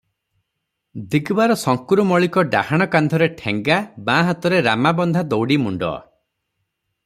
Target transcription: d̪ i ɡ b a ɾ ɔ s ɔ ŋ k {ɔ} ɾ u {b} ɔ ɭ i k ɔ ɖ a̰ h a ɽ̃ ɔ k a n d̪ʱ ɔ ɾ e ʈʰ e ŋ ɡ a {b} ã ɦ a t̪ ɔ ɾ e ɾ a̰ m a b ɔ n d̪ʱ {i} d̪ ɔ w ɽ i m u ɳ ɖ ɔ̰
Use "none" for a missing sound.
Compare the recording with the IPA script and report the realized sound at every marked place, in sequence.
u, m, b, a

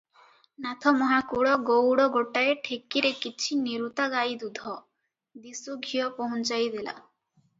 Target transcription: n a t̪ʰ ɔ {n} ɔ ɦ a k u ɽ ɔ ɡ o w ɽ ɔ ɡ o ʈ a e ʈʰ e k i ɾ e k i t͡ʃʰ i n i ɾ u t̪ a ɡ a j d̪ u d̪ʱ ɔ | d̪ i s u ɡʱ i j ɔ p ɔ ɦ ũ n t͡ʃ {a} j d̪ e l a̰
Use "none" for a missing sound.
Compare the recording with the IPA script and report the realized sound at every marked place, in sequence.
m, a

